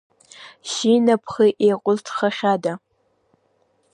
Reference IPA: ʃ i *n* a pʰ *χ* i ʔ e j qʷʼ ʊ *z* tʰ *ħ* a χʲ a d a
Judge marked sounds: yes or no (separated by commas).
yes, yes, yes, no